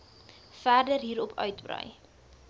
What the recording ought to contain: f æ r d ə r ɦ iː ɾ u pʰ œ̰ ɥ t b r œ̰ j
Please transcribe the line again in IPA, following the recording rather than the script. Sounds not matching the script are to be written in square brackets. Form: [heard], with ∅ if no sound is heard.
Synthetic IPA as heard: f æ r d ə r ɦ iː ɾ [ɔ] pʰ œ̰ ɥ t b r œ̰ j